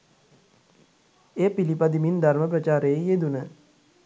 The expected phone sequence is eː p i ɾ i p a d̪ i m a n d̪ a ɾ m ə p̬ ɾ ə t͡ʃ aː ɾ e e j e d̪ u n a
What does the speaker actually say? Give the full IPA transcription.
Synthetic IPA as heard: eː p i l i p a d̪ i m i n d̪ a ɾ m ə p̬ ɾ ə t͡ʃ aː ɾ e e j e d̪ u n ə